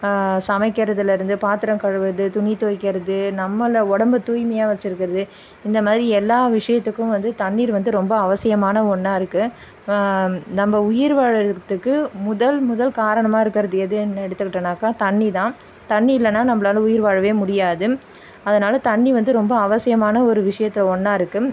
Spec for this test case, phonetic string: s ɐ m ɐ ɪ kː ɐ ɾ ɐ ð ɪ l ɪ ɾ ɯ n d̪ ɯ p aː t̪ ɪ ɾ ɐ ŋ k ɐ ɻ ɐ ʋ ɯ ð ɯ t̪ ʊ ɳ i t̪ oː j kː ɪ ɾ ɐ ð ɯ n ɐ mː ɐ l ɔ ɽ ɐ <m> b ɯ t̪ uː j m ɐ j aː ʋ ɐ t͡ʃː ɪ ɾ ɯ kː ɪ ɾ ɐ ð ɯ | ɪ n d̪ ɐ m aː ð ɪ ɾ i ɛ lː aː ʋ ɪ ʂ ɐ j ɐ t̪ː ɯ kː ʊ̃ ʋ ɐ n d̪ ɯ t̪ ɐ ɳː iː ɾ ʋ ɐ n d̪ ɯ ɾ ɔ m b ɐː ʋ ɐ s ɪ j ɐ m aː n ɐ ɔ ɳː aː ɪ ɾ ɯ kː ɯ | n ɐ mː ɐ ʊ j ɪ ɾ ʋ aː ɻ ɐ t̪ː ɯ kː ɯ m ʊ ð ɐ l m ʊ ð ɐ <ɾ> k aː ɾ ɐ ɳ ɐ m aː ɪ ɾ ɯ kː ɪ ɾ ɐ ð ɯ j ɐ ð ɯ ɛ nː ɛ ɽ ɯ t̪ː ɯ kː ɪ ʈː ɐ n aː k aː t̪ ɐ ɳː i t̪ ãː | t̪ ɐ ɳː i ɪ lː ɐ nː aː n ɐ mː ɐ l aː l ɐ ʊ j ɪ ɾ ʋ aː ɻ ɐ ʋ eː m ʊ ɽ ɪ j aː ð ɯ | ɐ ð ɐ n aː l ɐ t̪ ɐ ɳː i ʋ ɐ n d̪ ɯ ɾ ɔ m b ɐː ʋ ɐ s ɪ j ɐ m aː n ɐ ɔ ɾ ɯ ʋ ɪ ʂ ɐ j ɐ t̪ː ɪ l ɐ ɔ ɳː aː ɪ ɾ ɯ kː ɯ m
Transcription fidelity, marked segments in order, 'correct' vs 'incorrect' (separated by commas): correct, incorrect